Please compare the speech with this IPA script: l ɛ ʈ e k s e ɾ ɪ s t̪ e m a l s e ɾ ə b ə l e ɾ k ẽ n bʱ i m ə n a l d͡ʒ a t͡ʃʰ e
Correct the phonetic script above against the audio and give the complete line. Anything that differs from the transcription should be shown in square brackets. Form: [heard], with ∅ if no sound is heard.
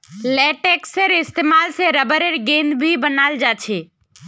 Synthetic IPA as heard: l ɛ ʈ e k s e ɾ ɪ s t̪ e m a l s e ɾ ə b ə [ɾ] e ɾ [ɡ] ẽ n bʱ i [b] ə n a l d͡ʒ a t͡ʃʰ e